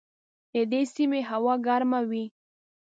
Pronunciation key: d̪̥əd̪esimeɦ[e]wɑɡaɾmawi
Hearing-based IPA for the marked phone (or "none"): a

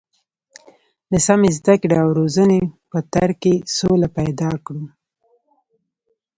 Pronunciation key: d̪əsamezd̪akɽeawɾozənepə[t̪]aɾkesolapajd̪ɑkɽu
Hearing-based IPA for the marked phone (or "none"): t̪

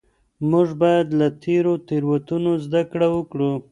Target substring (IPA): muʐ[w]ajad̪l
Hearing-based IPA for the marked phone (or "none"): b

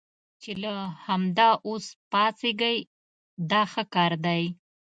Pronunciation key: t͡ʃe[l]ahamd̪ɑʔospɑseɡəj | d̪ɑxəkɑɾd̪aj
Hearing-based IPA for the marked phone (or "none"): l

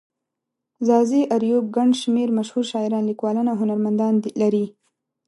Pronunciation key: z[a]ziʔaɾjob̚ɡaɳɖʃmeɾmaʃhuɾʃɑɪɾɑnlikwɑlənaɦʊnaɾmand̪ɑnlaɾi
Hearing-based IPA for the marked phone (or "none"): ɑ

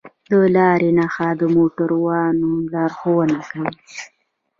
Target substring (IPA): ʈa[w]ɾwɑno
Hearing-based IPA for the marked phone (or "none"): none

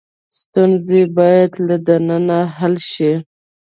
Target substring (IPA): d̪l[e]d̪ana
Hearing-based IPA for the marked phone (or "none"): a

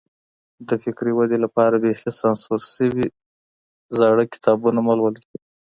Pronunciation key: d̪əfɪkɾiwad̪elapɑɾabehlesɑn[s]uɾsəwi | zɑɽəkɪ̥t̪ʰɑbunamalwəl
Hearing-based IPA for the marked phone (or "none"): s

